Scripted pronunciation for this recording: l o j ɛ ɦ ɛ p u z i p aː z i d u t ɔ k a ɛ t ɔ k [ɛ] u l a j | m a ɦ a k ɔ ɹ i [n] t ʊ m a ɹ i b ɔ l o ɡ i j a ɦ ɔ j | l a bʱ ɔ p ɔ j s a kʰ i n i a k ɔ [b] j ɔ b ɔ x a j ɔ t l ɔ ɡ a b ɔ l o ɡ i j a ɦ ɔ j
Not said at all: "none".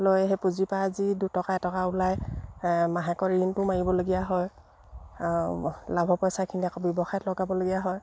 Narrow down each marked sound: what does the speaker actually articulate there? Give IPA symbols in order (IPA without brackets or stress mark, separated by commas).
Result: a, n, b